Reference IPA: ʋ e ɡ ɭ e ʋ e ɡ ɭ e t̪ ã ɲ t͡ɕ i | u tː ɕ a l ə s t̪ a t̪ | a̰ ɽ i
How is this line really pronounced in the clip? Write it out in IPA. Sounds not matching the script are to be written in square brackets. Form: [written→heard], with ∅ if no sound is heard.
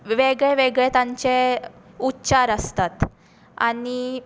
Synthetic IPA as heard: ʋ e ɡ ɭ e ʋ e ɡ ɭ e t̪ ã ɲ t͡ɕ [i→e] | u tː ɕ a [l→ɾ] ə s t̪ a t̪ | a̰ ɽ i

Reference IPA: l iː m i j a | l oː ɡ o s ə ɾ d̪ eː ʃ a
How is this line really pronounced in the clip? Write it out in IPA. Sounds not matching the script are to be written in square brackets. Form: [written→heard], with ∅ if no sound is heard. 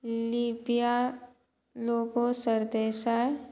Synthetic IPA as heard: l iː [m→b] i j a | l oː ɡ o s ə ɾ d̪ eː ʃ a

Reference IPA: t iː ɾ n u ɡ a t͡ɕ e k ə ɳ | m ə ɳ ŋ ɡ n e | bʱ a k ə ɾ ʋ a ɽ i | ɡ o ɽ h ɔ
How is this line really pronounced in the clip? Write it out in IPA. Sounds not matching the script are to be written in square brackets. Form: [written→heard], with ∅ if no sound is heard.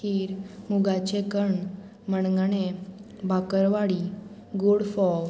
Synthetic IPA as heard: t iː ɾ [n→m] u ɡ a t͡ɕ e k ə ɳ | m ə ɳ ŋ ɡ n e | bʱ a k ə ɾ ʋ a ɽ i | ɡ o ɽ [h→f] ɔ

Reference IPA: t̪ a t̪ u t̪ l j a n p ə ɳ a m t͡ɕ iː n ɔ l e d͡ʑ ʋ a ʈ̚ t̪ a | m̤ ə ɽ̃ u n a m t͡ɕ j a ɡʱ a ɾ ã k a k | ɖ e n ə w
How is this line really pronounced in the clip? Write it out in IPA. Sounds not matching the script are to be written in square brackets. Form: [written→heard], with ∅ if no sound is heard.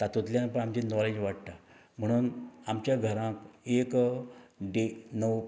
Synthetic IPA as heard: t̪ a t̪ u t̪ l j a n p ə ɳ a m t͡ɕ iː n ɔ l e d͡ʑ ʋ a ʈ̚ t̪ a | m̤ ə ɽ̃ [u→uː] n a m t͡ɕ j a ɡʱ [a→ə] ɾ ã k [a→e] k | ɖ e n ə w

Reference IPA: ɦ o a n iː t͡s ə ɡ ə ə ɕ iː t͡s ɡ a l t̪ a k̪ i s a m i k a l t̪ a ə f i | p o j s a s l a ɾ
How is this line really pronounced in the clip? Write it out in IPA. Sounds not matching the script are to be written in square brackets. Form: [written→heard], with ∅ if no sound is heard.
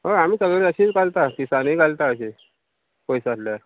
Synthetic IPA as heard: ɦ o a [n→m] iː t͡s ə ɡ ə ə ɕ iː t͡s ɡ a l t̪ a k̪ i s a [m→n] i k a l t̪ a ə [f→ɕ] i | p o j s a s l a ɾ

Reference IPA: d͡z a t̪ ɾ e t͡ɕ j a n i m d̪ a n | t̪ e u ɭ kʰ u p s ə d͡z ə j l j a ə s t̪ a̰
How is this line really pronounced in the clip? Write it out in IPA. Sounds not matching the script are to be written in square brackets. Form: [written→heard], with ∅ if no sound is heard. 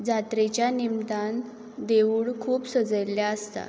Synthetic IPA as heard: d͡z a t̪ ɾ e t͡ɕ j a n i m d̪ a n | [t̪→d̪] e u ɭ kʰ [u→uː] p s ə d͡z ə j l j a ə s t̪ a̰

